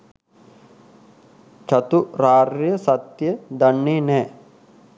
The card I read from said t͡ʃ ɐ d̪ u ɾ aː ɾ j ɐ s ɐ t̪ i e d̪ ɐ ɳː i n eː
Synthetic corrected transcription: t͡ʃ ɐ t̪ u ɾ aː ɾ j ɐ s ɐ t̪ j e d̪ ɐ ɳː i n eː